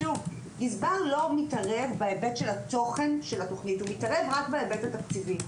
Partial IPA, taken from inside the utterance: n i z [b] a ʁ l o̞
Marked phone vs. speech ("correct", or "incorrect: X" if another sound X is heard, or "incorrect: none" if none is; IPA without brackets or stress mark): correct